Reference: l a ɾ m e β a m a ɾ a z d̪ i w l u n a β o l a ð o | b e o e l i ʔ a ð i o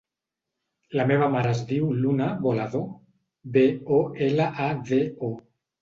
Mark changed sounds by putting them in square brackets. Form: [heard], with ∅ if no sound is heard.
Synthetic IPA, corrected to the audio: l a [∅] m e β a m a ɾ a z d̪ i w l u n a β o l a ð o | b e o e l [a] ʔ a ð [e] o